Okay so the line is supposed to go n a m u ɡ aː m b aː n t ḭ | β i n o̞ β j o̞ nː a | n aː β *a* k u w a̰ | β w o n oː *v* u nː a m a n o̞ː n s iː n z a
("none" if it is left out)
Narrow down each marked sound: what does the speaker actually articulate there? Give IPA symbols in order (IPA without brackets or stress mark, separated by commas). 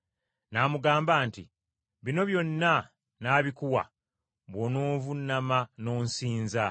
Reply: i, v